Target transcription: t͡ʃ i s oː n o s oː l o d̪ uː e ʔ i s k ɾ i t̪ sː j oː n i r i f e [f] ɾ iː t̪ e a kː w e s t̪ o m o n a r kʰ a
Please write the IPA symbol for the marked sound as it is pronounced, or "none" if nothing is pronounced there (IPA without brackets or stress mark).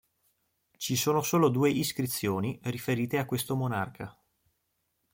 none